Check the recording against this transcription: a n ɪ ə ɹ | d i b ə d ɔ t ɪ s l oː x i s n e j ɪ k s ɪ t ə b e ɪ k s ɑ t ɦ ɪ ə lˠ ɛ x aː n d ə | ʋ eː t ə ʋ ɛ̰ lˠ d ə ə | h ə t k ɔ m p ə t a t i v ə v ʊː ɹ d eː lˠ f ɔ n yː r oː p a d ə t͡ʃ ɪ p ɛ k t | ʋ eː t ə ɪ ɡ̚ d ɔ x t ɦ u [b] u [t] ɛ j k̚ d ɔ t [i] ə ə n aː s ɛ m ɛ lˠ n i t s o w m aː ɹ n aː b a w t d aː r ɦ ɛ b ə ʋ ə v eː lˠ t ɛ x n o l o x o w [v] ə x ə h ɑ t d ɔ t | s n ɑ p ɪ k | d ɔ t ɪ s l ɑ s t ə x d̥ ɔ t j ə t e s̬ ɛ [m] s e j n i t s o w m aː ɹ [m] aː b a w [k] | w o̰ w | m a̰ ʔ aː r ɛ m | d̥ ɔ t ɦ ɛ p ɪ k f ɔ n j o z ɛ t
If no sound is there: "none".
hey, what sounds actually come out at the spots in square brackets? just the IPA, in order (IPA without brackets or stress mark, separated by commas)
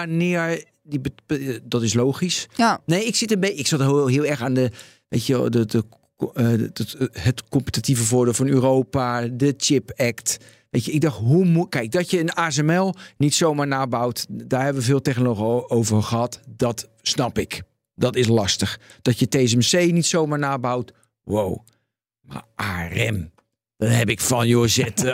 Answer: m, k, j, v, m, n, t